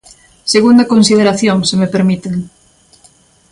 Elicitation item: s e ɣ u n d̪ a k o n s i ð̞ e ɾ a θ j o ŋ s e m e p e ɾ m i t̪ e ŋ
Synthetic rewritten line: s e ɣ u n d̪ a k o n s i ð̞ e ɾ a θ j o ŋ s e m e p e ɾ m i t̪ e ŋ